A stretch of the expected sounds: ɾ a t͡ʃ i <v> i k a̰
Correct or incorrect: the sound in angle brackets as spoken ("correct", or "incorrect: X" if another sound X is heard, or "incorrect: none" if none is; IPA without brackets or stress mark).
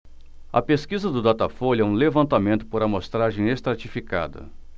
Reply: incorrect: f